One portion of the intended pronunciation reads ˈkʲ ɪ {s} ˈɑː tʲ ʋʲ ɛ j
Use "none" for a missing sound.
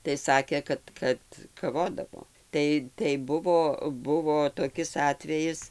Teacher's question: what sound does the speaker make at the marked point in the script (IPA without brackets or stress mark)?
s